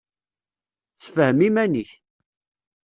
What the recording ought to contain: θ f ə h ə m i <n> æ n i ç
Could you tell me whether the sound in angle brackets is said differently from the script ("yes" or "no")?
yes